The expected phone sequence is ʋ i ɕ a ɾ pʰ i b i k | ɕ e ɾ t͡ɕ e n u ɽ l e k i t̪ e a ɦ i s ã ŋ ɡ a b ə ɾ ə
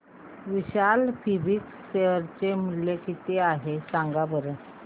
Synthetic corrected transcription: ʋ i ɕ a l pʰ i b i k | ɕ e ɾ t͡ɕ e m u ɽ l e k i t̪ e a ɦ e s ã ŋ ɡ a b ə ɾ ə